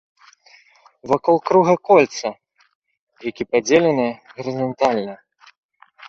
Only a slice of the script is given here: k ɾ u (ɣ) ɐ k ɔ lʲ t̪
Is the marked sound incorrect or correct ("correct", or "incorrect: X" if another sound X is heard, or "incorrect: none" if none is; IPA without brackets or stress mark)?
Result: correct